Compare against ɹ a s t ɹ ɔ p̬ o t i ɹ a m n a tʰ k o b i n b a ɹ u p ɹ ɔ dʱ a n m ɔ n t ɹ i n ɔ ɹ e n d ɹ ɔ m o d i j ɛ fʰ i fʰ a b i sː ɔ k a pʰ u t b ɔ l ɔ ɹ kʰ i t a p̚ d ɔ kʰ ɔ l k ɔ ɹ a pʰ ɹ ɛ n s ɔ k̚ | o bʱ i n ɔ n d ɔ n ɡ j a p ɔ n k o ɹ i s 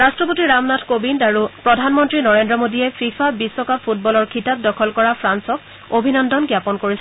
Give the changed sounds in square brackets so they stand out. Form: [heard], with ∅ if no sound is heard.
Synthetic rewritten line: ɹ a s t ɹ ɔ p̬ o t i ɹ a m n a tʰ k o b i n [d] a ɹ u p ɹ ɔ dʱ a n m ɔ n t ɹ i n ɔ ɹ e n d ɹ ɔ m o d i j ɛ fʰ i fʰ a b i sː ɔ k a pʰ u t b ɔ l ɔ ɹ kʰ i t a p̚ d ɔ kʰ ɔ l k ɔ ɹ a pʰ ɹ [a] n s ɔ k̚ | o bʱ i n ɔ n d ɔ n ɡ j a p ɔ n k o ɹ i s